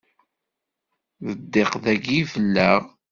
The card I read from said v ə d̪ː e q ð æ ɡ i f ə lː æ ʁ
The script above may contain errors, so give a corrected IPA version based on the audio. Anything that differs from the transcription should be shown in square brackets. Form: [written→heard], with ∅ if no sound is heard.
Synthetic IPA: [v→ð] ə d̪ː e q ð æ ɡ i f ə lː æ ʁ